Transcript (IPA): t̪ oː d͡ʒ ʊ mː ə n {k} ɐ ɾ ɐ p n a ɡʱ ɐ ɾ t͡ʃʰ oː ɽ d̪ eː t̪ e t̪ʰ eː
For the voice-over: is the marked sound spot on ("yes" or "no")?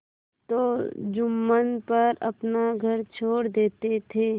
no